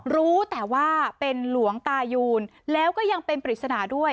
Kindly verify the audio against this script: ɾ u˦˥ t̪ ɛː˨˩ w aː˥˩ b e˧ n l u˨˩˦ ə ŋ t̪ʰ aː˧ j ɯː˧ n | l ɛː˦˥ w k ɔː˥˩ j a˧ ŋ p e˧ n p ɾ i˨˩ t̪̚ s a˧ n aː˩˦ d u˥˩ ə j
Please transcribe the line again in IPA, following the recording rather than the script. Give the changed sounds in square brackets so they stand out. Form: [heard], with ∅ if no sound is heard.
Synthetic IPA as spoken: ɾ [uː˦˥] t̪ ɛː˨˩ w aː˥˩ [p] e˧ n l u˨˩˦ ə ŋ [t̪] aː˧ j [uː˧] n | l ɛː˦˥ w k ɔː˥˩ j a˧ ŋ p e˧ n p ɾ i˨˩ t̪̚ s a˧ n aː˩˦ d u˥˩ ə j